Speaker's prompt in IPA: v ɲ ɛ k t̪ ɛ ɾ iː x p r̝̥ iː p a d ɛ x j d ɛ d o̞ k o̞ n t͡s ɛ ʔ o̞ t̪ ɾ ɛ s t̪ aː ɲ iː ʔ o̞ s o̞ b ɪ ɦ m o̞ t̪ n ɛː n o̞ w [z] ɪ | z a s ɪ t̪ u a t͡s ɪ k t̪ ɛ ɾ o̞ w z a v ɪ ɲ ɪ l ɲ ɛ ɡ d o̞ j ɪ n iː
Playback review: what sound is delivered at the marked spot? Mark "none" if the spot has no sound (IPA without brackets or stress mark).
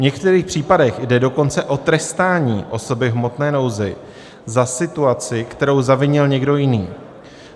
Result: z